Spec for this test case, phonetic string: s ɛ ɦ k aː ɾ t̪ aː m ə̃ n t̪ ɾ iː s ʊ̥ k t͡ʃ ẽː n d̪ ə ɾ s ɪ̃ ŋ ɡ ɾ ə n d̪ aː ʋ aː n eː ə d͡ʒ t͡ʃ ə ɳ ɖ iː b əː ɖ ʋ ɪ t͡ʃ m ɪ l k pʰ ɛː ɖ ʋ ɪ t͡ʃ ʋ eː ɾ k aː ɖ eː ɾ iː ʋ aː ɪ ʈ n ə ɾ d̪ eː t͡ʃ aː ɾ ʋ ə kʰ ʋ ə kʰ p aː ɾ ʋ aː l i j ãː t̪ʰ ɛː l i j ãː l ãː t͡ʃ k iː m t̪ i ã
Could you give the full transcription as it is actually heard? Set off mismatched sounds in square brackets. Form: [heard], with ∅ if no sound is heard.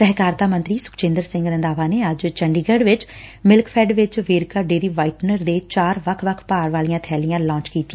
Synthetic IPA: s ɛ ɦ k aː ɾ t̪ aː m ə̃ n t̪ ɾ iː s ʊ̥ k t͡ʃ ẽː n d̪ ə ɾ s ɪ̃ ŋ ɡ ɾ ə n d̪ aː ʋ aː n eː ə d͡ʒ t͡ʃ ə ɳ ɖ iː [ɡ] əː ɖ ʋ ɪ t͡ʃ m ɪ l k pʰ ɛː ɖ ʋ ɪ t͡ʃ ʋ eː ɾ k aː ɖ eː ɾ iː ʋ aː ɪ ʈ n ə ɾ d̪ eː t͡ʃ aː ɾ ʋ ə kʰ ʋ ə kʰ p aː ɾ ʋ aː l i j ãː t̪ʰ ɛː l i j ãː l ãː t͡ʃ k iː [∅] t̪ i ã

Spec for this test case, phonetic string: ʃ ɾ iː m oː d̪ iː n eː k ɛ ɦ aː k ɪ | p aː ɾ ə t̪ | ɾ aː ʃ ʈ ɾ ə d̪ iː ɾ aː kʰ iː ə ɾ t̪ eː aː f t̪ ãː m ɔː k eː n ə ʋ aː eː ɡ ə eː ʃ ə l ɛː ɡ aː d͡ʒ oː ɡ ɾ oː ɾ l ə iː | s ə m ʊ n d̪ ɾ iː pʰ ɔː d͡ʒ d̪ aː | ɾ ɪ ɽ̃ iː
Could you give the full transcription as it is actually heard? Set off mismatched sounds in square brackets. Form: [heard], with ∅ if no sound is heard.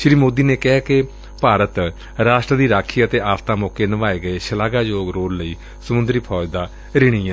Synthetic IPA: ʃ ɾ iː m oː d̪ iː n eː k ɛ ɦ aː k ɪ | p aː ɾ ə t̪ | ɾ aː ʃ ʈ ɾ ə d̪ iː ɾ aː kʰ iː ə [∅] t̪ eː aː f t̪ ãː m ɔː k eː n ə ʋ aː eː ɡ ə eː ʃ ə l [aː] ɡ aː d͡ʒ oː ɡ ɾ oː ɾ l ə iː | s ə m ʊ n d̪ ɾ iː pʰ ɔː d͡ʒ d̪ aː | ɾ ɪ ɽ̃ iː

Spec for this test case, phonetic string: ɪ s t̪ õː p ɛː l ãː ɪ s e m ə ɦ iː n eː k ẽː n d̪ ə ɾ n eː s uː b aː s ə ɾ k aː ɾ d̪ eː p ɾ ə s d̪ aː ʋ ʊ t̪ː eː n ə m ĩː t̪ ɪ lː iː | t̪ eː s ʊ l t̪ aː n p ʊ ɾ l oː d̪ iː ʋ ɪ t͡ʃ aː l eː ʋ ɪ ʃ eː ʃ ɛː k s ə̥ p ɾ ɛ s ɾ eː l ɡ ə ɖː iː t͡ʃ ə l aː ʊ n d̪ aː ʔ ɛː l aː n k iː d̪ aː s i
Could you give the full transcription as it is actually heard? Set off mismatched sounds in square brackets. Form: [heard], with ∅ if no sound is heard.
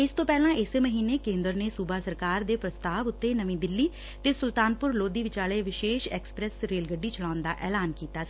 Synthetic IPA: ɪ s t̪ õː p ɛː l ãː ɪ s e m ə ɦ iː n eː k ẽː n d̪ ə ɾ n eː s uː b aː s ə ɾ k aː ɾ d̪ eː p ɾ ə s [t̪] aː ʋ ʊ t̪ː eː n ə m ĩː [d̪] ɪ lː iː | t̪ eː s ʊ l t̪ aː n p ʊ ɾ l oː d̪ iː ʋ ɪ t͡ʃ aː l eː ʋ ɪ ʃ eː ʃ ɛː k s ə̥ p ɾ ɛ s ɾ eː l ɡ ə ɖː iː t͡ʃ ə l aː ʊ n d̪ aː ʔ ɛː l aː n k iː [t̪] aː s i

